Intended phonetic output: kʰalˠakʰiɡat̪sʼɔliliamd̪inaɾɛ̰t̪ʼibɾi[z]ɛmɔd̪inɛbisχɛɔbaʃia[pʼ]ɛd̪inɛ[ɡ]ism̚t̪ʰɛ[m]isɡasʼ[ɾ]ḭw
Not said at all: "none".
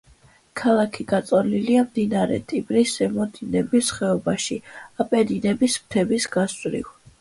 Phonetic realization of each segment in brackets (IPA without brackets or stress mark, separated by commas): s, pʼ, b, b, ɾ